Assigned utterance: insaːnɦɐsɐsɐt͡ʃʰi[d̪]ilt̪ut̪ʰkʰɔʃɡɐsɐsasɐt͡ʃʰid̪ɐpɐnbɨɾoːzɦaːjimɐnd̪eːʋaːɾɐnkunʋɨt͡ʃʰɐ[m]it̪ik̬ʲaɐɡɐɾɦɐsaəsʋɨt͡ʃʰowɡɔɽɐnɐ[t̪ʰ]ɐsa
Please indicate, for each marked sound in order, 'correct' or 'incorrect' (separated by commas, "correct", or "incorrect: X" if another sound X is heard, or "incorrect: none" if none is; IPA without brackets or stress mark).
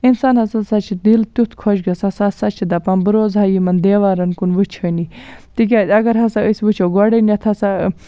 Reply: correct, incorrect: n, correct